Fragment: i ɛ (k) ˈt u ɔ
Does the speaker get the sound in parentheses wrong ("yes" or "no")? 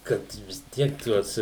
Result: no